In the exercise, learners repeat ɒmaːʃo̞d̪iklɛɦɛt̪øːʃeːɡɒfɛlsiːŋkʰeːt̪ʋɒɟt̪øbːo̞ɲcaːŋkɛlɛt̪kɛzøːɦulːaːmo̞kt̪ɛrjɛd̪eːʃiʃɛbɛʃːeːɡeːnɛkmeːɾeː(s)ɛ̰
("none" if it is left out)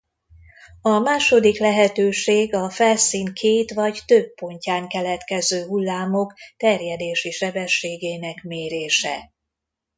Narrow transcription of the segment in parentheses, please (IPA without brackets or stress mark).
ʃ